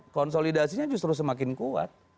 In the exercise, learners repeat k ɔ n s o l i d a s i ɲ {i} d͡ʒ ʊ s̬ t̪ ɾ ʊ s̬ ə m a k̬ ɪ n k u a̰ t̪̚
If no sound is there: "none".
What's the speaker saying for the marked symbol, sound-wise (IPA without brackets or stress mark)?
a